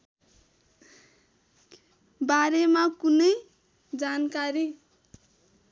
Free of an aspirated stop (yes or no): yes